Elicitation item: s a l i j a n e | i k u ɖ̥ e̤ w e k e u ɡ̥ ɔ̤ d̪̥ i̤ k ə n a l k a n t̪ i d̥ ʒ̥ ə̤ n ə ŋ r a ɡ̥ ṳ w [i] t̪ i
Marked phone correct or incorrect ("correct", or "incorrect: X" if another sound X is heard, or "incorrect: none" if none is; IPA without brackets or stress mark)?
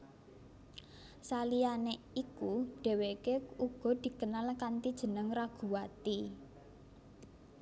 incorrect: a